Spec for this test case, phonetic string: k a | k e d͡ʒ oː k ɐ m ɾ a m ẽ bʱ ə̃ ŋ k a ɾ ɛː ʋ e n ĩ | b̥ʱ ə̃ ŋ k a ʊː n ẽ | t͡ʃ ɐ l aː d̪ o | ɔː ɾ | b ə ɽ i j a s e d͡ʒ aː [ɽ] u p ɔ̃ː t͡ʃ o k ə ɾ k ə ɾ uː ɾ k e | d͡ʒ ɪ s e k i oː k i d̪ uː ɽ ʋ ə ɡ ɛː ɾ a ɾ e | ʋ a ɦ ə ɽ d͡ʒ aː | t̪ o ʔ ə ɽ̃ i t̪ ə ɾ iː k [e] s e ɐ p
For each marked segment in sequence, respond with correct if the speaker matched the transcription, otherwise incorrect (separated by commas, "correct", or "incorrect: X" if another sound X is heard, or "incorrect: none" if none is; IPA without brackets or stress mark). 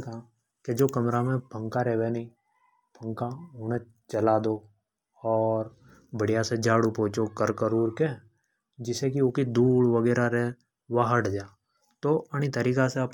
correct, incorrect: a